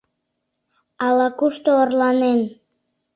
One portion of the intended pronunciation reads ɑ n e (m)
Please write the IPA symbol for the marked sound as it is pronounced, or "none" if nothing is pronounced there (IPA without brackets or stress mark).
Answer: n